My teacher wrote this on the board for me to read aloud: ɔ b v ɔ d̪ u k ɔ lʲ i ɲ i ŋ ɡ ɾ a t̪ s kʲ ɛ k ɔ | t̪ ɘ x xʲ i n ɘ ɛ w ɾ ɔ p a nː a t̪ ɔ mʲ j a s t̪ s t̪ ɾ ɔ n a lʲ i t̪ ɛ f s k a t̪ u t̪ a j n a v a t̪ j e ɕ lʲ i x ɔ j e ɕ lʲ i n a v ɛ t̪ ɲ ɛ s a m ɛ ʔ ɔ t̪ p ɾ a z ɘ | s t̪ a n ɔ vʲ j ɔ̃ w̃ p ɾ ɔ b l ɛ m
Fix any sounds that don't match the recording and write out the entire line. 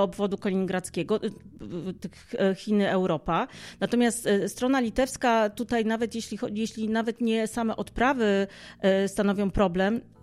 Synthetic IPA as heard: ɔ b v ɔ d̪ u k ɔ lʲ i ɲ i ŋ ɡ ɾ a t̪ s kʲ ɛ ɡ ɔ | t̪ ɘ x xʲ i n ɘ ɛ w ɾ ɔ p a n a t̪ ɔ mʲ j a s t̪ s t̪ ɾ ɔ n a lʲ i t̪ ɛ f s k a t̪ u t̪ a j n a v ɛ t̪ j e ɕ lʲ i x ɔ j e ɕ lʲ i n a v ɛ t̪ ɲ ɛ s a m ɛ ʔ ɔ t̪ p ɾ a v ɘ | s t̪ a n ɔ vʲ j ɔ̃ w̃ p ɾ ɔ b l ɛ m